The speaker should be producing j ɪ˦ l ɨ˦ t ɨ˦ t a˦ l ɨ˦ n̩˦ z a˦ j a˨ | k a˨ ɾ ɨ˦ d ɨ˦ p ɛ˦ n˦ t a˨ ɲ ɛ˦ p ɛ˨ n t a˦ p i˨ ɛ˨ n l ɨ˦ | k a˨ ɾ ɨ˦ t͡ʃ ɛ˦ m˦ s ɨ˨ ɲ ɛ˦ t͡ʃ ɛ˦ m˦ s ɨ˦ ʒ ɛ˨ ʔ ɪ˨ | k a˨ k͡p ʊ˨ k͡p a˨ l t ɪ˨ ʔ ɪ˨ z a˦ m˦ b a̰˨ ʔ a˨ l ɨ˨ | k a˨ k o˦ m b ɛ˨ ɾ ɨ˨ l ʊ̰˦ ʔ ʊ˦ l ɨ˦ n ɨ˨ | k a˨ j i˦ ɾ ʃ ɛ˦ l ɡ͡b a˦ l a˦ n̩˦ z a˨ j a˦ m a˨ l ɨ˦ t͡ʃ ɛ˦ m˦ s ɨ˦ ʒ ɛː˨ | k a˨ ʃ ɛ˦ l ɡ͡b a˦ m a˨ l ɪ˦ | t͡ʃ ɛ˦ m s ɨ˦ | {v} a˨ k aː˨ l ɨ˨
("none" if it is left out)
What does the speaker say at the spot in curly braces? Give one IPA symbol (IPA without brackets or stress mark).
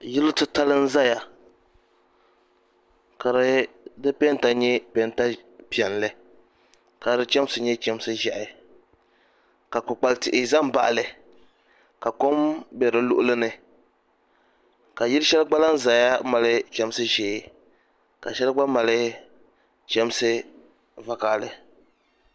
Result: v